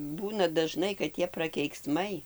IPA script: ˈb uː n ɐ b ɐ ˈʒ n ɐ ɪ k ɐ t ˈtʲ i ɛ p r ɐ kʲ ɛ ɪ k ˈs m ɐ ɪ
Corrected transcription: ˈb uː n ɐ d ɐ ˈʒ n ɐ ɪ k ɐ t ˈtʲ i ɛ p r ɐ kʲ ɛ ɪ k ˈs m ɐ ɪ